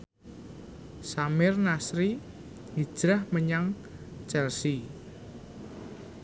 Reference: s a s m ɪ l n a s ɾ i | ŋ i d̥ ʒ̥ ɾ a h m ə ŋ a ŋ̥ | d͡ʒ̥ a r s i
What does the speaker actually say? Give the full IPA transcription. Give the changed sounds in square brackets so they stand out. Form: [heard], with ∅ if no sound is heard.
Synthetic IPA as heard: s a [∅] m ɪ [r] n a s ɾ i | ŋ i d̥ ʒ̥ ɾ a h m ə [ɲ] a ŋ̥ | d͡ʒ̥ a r s i

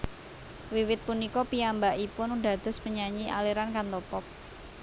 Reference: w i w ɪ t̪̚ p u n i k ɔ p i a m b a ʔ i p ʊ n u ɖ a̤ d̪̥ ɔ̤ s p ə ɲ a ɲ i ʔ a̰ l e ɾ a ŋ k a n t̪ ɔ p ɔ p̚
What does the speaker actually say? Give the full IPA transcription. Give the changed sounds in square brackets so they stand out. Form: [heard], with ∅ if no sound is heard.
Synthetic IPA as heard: w i w ɪ t̪̚ p u n i k ɔ p i a m b a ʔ i p ʊ n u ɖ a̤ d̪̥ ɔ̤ s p ə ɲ a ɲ i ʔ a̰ l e ɾ a [n] k a n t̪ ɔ p ɔ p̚

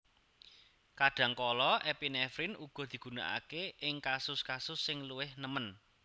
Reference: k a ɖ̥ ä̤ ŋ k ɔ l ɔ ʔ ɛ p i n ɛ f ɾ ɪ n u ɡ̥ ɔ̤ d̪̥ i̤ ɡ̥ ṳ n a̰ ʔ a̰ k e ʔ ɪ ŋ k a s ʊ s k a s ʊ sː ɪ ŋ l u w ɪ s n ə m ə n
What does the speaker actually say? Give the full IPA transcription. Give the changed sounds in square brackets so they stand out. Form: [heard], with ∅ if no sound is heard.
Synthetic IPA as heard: k a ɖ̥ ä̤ ŋ k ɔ l ɔ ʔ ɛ p i n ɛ f ɾ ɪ n u ɡ̥ ɔ̤ d̪̥ i̤ ɡ̥ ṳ n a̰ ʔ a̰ k e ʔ ɪ ŋ k a s ʊ s k a s ʊ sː ɪ ŋ l u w ɪ [h] n ə m ə n

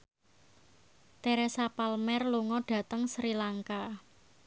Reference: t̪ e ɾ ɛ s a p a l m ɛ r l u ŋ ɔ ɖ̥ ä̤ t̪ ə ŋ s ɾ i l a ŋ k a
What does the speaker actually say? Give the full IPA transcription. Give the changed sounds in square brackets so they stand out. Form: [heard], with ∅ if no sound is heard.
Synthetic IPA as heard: t̪ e ɾ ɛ s a p a l m ɛ r l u ŋ ɔ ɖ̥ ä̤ t̪ ə ŋ s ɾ i l a ŋ k a

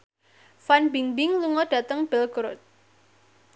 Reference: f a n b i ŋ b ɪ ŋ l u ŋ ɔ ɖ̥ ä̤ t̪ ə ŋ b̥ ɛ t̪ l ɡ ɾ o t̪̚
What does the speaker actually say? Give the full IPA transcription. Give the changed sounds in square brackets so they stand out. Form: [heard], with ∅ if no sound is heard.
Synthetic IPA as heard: f a n b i ŋ b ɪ ŋ l u ŋ ɔ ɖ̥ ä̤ t̪ ə ŋ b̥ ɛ [∅] l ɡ ɾ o t̪̚

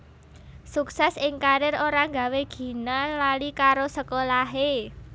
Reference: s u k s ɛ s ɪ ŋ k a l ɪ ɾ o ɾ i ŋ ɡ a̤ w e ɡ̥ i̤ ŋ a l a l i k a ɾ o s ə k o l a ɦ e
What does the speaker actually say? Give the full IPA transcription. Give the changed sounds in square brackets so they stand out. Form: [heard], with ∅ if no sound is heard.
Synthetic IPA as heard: s u k s ɛ s ɪ ŋ k a [ɾ] ɪ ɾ o ɾ [a] ŋ ɡ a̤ w e ɡ̥ i̤ [n] a l a l i k a ɾ o s ə k o l a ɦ e

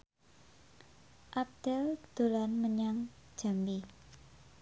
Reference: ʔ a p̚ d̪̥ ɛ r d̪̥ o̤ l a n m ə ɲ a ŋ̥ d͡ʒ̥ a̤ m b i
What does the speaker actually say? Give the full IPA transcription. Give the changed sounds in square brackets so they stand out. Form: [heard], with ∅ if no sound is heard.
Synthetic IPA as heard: ʔ a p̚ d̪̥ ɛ [l] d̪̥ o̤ l a n m ə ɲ a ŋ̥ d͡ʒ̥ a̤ m b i

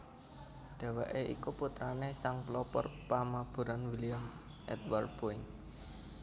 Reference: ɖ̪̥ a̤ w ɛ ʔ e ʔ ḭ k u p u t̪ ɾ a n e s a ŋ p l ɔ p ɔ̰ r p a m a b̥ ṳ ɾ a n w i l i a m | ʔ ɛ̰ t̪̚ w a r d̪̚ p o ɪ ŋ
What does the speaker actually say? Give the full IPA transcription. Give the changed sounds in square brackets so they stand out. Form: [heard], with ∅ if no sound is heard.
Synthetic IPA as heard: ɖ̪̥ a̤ w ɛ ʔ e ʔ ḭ k u p u t̪ ɾ a n e s a ŋ p l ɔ p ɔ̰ r p a m a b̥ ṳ ɾ a n w i l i a m | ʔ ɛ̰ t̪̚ w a r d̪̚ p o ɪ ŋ

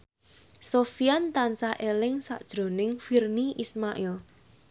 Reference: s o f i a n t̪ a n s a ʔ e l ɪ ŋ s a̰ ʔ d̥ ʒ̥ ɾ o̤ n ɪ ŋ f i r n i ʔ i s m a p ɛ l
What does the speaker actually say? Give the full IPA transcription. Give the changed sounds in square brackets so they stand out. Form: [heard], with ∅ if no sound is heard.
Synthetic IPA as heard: s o f i a n t̪ a n s a ʔ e l ɪ ŋ s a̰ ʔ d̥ ʒ̥ ɾ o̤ n ɪ ŋ f i r n i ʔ i s m a [ʔ] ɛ l

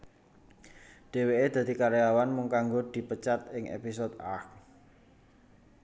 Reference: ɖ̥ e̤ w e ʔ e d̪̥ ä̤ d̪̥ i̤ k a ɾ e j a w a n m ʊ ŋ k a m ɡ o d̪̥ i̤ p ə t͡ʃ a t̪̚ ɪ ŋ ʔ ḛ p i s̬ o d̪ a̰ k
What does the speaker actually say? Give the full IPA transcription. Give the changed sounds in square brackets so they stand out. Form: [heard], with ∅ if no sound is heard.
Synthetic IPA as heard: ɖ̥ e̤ w e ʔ e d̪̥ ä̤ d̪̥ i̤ k a ɾ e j a w a n m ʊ ŋ k a [ŋ] ɡ o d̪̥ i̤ p ə t͡ʃ a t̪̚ ɪ ŋ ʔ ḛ p i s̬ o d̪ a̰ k

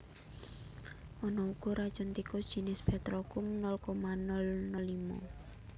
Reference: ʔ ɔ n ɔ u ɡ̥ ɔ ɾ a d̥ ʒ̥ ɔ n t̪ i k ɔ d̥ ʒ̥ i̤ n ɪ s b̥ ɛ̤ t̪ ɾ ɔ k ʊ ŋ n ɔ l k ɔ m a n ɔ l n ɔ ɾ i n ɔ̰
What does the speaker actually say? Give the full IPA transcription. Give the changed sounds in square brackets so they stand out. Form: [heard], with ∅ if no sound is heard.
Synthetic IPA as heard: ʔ ɔ n ɔ u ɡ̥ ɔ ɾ a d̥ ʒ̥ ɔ n t̪ i k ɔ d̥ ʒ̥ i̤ n ɪ s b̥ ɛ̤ t̪ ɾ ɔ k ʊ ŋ n ɔ l k ɔ m a n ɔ l n ɔ [l] i [m] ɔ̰

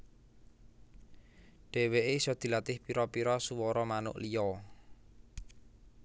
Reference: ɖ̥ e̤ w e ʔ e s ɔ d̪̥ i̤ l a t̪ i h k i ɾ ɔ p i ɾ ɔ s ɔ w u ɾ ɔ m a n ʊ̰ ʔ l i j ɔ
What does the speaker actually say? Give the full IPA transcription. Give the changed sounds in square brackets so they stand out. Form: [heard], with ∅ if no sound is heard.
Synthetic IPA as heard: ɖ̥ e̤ w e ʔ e s ɔ d̪̥ i̤ l a t̪ [ɪ] h [p] i ɾ ɔ p i ɾ ɔ s [u] w [ɔ] ɾ ɔ m a n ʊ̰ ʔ l i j ɔ

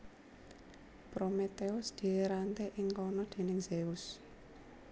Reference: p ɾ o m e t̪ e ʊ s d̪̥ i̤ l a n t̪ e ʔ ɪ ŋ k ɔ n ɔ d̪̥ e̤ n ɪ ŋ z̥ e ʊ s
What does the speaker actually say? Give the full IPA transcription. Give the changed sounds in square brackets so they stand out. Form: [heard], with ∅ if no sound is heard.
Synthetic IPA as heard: p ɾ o m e t̪ e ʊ s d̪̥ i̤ [ɾ] a n t̪ e ʔ ɪ ŋ k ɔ n ɔ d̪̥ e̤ n ɪ ŋ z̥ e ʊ s

